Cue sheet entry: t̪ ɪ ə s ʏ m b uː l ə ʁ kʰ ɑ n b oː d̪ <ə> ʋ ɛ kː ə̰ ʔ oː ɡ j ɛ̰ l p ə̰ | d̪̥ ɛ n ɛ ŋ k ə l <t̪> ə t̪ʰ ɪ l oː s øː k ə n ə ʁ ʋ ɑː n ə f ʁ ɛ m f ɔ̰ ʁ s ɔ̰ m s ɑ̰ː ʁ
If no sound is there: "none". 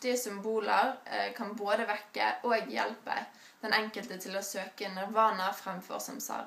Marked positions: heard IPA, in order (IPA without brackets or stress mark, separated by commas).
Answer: ə, t̪